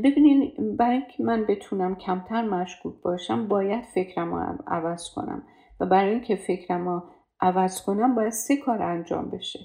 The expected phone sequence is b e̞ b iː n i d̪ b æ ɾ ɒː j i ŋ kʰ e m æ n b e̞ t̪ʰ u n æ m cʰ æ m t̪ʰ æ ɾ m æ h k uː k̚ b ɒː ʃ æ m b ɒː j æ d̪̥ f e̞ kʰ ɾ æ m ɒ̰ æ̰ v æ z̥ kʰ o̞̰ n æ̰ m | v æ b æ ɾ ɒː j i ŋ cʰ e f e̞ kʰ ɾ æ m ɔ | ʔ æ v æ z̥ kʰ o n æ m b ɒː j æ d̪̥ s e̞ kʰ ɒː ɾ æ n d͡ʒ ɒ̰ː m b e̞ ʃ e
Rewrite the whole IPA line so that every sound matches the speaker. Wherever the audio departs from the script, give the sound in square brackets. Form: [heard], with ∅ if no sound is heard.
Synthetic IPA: b e̞ b iː n i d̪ b æ ɾ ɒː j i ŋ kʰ e m æ n b e̞ t̪ʰ u n æ m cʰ æ m t̪ʰ æ ɾ m æ [ʃ] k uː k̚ b ɒː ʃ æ m b ɒː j æ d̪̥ f e̞ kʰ ɾ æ m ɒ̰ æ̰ v æ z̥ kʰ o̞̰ n æ̰ m | v æ b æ ɾ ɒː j i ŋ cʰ e f e̞ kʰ ɾ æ m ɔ | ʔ æ v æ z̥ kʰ o n æ m b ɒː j æ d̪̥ s e̞ kʰ ɒː ɾ æ n d͡ʒ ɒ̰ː m b e̞ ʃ e